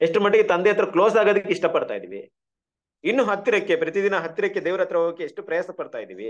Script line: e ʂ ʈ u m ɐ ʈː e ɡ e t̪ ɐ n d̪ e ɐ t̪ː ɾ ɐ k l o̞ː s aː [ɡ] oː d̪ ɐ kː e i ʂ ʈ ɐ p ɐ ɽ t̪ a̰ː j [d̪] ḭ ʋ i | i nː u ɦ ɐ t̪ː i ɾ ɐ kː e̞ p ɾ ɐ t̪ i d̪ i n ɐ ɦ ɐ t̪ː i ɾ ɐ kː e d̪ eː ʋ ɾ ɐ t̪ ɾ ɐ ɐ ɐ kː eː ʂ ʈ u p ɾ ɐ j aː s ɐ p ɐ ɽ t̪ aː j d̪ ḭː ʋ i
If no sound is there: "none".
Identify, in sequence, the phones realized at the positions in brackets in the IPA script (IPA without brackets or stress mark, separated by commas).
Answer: ɡ, d̪